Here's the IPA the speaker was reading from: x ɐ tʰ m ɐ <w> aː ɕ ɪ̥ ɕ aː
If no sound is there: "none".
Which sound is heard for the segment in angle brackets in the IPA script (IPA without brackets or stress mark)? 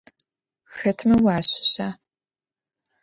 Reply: w